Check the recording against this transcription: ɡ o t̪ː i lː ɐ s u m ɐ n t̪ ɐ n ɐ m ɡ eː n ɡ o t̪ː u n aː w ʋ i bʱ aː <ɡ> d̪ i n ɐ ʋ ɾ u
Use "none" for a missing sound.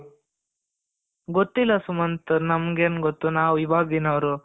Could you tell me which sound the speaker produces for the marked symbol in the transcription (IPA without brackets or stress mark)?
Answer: ɡ